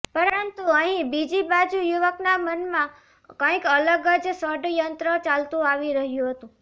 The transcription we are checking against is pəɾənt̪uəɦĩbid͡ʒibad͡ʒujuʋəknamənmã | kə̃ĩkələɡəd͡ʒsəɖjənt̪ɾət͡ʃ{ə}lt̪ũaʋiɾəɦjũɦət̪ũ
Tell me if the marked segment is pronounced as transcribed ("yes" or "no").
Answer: no